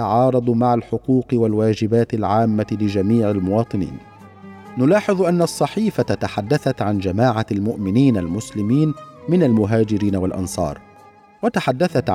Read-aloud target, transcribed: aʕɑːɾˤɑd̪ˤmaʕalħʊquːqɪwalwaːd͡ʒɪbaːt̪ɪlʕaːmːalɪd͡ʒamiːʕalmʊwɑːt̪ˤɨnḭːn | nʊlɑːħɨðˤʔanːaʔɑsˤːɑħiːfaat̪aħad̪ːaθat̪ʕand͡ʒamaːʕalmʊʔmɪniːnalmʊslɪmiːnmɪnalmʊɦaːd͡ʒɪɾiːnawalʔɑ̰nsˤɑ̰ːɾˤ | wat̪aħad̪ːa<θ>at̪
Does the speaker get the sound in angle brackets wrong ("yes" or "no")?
no